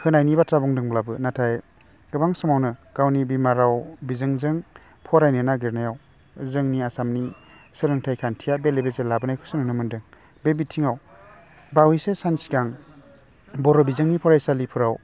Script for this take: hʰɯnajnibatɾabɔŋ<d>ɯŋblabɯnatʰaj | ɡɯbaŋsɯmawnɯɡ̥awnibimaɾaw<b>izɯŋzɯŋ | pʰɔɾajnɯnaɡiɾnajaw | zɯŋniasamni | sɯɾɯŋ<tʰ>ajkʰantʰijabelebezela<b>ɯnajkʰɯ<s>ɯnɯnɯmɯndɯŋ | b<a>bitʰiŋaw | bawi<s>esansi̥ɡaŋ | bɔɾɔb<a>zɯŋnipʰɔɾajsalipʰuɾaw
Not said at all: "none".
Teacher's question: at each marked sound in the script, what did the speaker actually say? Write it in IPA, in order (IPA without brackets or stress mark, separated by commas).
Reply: d, b, tʰ, b, s, e, s, i